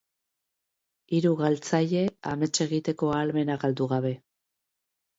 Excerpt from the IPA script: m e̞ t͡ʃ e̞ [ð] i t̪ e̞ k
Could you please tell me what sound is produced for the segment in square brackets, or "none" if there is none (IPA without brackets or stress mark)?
ɣ